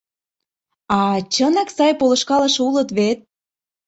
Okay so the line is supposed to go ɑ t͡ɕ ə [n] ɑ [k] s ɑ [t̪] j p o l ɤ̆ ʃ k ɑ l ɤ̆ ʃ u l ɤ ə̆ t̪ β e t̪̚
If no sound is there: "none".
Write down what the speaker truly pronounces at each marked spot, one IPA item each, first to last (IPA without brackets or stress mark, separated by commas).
n, k, none